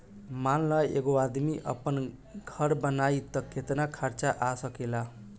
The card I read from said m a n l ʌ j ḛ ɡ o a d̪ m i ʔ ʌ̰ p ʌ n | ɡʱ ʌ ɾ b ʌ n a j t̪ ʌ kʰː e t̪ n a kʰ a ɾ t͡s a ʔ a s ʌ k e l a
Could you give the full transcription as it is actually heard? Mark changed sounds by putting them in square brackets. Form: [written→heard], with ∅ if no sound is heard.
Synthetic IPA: m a n l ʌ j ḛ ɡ o a d̪ m i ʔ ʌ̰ p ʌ n | ɡʱ ʌ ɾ b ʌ n a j t̪ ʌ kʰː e t̪ n a kʰ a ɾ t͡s a ʔ a s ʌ k e l a